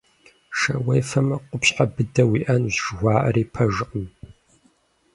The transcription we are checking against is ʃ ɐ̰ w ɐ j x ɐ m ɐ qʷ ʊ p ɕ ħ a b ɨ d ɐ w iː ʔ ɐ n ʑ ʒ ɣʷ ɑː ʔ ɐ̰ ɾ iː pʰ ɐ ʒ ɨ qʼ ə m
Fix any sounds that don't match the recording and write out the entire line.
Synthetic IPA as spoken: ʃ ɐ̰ w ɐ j f ɐ m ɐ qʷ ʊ p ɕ ħ a b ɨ d ɐ w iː ʔ ɐ n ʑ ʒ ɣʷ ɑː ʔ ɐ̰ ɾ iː pʰ ɐ ʒ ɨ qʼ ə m